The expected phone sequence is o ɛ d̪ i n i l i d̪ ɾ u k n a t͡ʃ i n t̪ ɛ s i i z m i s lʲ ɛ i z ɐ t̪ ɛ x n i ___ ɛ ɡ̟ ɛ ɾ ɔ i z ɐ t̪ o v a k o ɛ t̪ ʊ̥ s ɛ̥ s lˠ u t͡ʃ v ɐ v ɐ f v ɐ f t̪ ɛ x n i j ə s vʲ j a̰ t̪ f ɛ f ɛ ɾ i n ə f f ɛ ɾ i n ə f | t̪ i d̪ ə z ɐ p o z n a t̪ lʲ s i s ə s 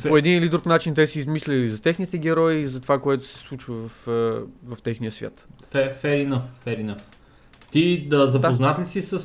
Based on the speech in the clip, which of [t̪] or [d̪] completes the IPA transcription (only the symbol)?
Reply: t̪